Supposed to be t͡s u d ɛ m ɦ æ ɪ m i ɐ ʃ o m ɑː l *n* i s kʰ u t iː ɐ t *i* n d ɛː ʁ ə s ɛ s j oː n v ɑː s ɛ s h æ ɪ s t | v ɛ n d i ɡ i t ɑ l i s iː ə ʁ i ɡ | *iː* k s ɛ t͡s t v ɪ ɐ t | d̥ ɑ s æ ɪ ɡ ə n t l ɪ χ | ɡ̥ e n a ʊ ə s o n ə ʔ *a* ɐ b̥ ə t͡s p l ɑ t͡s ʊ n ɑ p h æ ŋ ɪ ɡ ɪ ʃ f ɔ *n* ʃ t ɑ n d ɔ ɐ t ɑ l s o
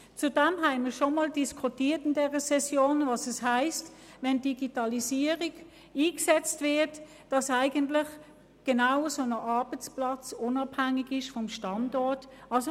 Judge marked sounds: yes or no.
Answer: no, no, yes, no, no

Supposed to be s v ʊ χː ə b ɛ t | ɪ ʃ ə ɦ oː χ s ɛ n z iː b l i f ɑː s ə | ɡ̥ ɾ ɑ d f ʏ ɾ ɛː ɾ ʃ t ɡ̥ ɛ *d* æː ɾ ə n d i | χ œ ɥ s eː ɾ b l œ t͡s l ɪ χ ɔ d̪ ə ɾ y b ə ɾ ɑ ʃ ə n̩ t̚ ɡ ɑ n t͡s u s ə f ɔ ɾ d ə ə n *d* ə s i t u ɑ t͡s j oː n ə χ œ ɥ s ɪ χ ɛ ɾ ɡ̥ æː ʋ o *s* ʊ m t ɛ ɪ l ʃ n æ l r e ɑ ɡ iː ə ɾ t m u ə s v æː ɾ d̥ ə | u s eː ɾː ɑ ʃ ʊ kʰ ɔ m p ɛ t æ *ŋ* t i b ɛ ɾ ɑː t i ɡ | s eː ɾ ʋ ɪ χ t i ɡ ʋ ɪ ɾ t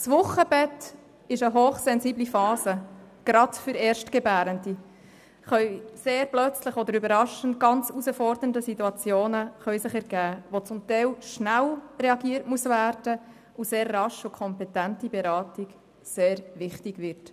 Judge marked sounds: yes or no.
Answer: no, yes, no, no

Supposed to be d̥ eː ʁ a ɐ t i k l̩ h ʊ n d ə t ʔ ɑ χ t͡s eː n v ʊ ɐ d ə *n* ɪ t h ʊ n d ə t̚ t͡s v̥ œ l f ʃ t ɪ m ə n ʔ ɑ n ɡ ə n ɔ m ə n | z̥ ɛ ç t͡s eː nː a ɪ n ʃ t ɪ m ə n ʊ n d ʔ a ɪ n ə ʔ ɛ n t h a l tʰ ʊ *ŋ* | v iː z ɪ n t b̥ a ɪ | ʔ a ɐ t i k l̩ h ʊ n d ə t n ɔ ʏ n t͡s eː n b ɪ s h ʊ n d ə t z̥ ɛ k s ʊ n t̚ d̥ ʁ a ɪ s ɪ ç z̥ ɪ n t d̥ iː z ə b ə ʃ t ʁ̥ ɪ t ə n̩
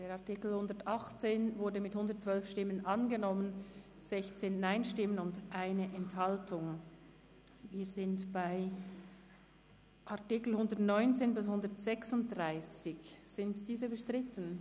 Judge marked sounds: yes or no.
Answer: no, yes

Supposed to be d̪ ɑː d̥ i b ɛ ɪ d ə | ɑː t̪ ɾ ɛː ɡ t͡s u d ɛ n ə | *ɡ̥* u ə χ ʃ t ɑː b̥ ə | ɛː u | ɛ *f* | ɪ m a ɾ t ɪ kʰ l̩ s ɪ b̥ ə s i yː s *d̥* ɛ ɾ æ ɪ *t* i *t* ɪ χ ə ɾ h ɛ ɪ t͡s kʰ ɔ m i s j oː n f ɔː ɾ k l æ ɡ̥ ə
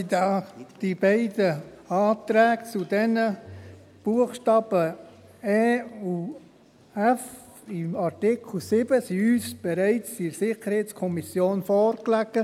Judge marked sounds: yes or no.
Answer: no, yes, no, no, no

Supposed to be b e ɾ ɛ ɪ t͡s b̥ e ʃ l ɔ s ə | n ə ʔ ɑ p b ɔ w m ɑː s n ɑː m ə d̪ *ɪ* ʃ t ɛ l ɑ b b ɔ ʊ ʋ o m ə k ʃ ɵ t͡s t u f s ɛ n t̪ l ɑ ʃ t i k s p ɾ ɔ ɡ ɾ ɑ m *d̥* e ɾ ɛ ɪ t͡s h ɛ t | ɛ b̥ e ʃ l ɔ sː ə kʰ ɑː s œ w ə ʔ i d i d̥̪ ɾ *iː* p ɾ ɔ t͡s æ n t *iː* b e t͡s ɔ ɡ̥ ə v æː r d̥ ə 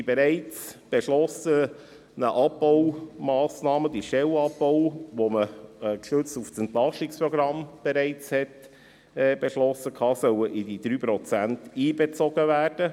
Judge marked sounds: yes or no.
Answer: no, no, no, yes

